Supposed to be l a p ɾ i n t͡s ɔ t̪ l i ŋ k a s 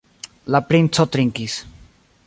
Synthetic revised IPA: l a p ɾ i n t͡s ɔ t̪ ɾ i ŋ k i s

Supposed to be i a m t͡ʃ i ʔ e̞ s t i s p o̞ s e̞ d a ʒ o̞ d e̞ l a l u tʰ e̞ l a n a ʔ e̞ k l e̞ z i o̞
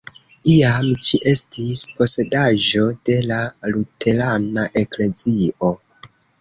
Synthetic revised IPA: i a m t͡ʃ i ʔ e̞ s t i s p o̞ s e̞ d a ʒ o̞ d e̞ l a l u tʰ e̞ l a n a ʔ e̞ k l e̞ z i o̞

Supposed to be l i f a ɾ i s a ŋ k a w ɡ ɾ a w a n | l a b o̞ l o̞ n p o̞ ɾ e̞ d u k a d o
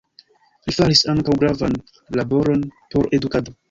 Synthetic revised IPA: l i f a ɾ i s a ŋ k a w ɡ ɾ a v a n | l a b o̞ ɾ o̞ n p o̞ ɾ e̞ d u k a d o

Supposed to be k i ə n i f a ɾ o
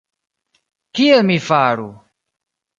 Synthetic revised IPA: k i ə m i f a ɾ u

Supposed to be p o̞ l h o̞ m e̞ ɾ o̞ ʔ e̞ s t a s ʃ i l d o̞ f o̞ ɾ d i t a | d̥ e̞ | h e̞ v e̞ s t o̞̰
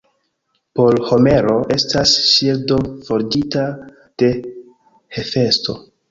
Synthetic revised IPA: p o̞ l h o̞ m e̞ ɾ o̞ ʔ e̞ s t a s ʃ i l d o̞ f o̞ ɾ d i t a | d̥ e̞ | h e̞ f e̞ s t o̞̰

